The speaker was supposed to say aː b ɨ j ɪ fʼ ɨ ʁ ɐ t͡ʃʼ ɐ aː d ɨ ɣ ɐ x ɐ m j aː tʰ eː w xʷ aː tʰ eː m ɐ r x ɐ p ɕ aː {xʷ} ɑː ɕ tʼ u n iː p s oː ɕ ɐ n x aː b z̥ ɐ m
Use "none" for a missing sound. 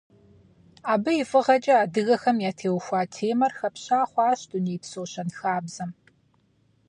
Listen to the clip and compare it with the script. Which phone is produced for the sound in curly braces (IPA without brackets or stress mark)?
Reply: χʷ